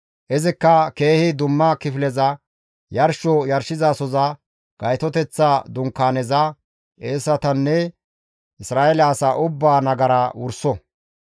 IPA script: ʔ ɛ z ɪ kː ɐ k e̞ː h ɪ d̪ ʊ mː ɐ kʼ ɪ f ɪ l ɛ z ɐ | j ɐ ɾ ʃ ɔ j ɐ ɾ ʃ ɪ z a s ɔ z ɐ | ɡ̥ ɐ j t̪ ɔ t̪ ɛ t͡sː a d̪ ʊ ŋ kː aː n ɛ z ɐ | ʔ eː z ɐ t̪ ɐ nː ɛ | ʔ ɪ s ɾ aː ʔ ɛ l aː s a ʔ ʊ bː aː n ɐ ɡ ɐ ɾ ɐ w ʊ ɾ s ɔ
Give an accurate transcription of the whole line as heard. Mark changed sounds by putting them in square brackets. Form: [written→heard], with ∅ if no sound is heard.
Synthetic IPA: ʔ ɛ z ɪ kː ɐ k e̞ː h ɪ d̪ ʊ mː ɐ [kʼ→k] ɪ f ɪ l ɛ z ɐ | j ɐ ɾ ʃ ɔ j ɐ ɾ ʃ ɪ z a s ɔ z ɐ | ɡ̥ ɐ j t̪ ɔ t̪ ɛ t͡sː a d̪ ʊ ŋ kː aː n ɛ z ɐ | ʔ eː [z→s] ɐ t̪ ɐ nː ɛ | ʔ ɪ s ɾ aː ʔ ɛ l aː s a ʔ ʊ bː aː n ɐ ɡ ɐ ɾ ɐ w ʊ ɾ s ɔ